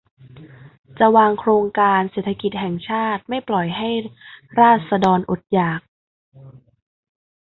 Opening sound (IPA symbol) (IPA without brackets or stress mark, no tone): t͡ɕ